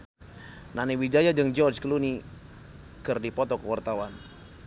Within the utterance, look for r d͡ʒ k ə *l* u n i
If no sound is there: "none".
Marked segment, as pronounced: l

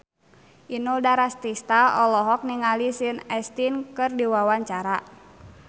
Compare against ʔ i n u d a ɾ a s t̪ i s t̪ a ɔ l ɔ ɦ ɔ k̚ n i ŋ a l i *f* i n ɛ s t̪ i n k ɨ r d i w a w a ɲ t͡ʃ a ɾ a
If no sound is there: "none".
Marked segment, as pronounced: s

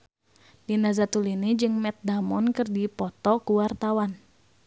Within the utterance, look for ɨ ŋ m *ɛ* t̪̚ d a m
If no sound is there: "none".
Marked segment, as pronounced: ɛ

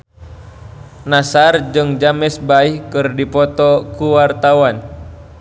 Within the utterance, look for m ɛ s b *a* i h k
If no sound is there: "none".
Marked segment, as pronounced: a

